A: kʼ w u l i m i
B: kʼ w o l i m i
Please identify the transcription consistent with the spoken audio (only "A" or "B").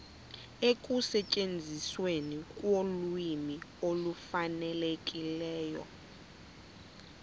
B